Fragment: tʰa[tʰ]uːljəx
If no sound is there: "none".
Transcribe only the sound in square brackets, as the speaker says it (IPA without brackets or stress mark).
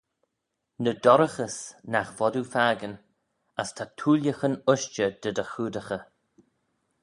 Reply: tʰ